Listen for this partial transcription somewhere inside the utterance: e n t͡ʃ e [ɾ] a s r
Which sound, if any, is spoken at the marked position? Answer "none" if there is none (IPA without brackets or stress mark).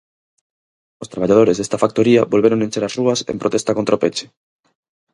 ɾ